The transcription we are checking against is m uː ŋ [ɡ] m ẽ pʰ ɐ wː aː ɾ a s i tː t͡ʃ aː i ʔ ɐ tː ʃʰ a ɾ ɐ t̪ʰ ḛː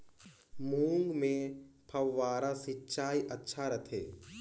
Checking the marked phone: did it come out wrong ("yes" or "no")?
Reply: no